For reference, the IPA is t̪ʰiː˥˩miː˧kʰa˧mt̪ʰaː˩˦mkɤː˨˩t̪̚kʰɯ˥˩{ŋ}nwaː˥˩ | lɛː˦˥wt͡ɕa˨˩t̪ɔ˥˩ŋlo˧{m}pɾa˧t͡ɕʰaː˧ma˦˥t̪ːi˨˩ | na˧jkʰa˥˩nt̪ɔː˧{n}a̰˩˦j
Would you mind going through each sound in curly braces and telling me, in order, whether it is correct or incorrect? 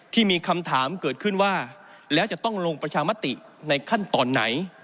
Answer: incorrect, incorrect, incorrect

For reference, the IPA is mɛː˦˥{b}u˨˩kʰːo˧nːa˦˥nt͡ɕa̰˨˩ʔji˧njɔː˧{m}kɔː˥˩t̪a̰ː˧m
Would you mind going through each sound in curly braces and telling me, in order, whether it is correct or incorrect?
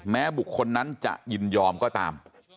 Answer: correct, correct

